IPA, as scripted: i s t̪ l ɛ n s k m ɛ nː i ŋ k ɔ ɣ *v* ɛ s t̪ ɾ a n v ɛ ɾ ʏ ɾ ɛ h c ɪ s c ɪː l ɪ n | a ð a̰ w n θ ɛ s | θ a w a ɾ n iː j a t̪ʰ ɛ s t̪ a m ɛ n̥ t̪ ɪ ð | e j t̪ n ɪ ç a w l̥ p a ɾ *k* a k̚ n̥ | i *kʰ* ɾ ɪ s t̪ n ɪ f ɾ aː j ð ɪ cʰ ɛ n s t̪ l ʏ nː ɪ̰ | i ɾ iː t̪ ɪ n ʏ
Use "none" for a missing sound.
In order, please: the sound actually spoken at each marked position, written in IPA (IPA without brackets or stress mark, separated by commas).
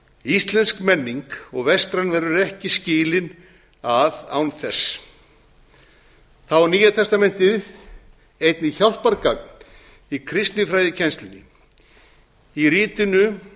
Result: v, k, kʰ